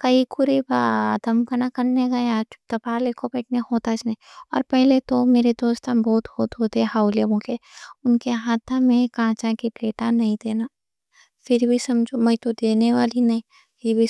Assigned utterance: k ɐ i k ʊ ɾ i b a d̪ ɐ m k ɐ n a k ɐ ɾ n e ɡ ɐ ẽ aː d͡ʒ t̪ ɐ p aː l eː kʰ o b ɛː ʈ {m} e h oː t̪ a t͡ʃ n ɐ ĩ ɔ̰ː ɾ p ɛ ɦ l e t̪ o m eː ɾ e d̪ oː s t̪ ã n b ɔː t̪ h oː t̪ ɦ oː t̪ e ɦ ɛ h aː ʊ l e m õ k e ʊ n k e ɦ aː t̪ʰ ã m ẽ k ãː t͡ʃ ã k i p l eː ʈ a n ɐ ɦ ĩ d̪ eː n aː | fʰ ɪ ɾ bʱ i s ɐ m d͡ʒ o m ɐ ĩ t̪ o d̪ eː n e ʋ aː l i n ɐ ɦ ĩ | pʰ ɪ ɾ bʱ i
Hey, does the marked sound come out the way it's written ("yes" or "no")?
no